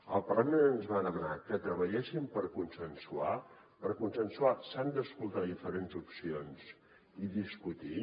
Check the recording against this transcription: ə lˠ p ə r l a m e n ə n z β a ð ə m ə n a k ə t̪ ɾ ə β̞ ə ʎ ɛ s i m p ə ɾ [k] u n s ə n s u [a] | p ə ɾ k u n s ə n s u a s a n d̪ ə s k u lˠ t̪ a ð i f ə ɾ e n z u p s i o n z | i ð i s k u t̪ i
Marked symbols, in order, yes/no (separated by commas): yes, yes